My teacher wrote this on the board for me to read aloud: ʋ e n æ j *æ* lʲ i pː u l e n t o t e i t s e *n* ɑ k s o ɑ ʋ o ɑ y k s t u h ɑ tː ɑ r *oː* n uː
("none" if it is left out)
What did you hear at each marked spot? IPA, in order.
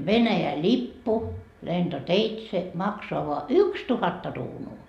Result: æ, m, uː

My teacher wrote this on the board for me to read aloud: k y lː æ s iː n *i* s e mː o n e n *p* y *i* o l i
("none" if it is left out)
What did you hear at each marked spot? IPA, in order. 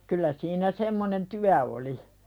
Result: æ, t, æ

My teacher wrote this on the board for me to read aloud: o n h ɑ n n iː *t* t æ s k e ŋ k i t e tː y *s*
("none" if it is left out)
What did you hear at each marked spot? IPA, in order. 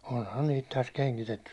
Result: t, s

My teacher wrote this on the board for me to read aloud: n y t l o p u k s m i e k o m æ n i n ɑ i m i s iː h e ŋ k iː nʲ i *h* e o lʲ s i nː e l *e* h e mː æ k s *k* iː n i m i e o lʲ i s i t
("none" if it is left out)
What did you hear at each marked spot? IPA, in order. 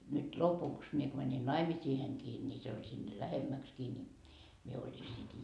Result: s, æ, k

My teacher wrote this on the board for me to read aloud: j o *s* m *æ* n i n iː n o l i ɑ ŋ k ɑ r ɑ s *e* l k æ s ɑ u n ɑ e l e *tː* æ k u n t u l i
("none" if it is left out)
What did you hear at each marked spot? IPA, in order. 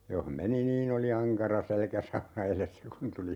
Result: h, e, e, sː

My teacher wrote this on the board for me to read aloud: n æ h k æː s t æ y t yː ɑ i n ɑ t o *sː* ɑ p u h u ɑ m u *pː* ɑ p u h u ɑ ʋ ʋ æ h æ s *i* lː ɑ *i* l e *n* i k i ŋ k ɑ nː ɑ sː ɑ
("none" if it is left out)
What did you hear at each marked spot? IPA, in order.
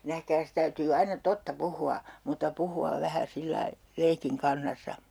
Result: tː, tː, i, i, none

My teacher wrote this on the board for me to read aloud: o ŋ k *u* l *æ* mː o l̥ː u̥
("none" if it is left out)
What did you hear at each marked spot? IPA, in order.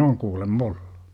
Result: uː, e

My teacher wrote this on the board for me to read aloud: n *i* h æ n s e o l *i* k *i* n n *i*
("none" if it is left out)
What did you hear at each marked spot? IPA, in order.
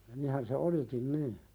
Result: i, i, i, iː

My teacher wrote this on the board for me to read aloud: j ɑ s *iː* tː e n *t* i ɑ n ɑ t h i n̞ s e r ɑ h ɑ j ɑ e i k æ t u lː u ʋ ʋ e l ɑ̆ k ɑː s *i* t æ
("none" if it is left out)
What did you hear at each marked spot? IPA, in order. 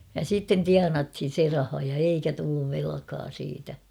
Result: i, t, iː

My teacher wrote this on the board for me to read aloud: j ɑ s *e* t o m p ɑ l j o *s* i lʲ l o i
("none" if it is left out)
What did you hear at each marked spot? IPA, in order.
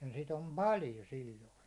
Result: i, s

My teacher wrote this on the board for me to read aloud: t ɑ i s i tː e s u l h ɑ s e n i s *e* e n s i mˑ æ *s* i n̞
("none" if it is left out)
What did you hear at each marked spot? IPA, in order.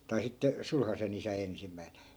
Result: æ, none

